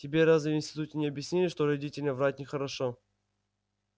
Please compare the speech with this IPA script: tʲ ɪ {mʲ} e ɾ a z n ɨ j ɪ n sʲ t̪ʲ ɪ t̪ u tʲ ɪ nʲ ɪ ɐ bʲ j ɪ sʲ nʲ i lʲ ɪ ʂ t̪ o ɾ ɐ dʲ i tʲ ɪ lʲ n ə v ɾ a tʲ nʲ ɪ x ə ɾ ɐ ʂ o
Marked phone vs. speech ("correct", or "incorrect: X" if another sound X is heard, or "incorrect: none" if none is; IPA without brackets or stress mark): incorrect: bʲ